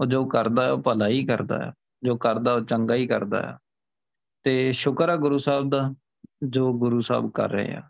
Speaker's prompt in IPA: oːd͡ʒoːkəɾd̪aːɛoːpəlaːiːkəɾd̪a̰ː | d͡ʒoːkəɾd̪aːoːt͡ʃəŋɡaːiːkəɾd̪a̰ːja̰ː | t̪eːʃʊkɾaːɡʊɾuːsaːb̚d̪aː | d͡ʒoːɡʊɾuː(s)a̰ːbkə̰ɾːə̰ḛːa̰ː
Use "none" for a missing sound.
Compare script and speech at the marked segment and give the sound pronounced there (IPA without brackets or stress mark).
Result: s